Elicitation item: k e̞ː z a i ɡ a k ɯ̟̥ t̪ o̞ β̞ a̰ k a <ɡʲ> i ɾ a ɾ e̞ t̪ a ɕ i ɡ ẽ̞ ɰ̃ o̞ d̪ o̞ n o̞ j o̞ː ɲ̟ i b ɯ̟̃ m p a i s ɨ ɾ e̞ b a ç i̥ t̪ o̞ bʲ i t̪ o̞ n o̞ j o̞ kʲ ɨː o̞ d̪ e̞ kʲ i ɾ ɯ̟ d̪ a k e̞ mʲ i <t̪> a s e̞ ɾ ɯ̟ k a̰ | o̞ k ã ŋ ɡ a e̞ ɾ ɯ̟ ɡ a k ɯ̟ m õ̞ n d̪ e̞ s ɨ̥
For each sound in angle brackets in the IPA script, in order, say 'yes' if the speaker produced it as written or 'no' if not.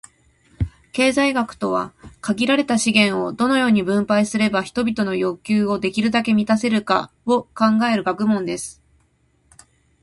yes, yes

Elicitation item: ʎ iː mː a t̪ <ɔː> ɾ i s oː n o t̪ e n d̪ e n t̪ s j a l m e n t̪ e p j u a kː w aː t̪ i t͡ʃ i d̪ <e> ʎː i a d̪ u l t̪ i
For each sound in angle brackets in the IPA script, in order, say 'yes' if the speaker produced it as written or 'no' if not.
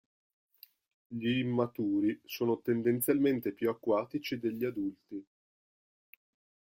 no, yes

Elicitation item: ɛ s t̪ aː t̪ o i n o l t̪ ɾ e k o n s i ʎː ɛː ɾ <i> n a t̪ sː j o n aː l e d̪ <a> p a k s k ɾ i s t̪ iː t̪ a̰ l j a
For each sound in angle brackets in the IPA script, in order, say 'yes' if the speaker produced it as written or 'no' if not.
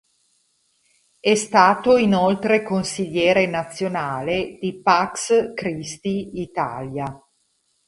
no, no

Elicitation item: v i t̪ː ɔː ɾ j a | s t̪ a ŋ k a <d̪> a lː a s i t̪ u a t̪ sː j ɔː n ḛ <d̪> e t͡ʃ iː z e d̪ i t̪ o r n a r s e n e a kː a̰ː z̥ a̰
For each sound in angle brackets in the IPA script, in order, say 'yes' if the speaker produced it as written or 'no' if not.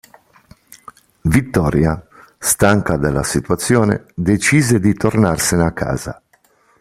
yes, yes

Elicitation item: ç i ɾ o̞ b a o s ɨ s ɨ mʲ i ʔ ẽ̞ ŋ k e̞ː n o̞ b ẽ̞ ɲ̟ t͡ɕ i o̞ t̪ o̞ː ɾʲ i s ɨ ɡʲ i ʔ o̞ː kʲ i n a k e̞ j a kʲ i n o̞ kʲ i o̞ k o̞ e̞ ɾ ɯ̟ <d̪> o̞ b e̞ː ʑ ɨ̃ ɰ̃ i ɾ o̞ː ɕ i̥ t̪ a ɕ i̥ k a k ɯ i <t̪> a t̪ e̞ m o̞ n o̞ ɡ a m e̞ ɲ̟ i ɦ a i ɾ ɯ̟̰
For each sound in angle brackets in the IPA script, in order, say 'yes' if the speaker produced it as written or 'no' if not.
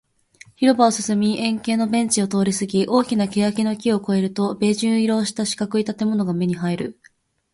no, yes

